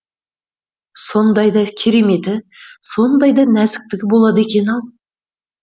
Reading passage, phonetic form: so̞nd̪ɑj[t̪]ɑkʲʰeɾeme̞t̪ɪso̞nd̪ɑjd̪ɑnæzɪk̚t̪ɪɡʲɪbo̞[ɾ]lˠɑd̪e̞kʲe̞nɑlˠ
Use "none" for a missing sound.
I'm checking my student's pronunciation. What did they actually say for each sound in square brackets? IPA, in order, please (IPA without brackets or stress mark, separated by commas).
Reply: d̪, none